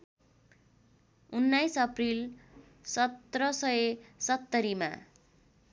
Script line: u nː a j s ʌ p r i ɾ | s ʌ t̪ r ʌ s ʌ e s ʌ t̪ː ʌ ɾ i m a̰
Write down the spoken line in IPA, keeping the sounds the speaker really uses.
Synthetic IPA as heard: u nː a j s ʌ p r i l | s ʌ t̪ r ʌ s ʌ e s ʌ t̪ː ʌ ɾ i m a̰